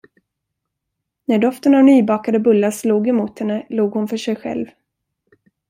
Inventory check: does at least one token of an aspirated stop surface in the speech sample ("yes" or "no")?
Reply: no